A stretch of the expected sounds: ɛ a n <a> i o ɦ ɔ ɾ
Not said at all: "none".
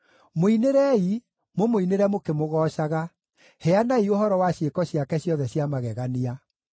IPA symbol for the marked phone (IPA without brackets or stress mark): a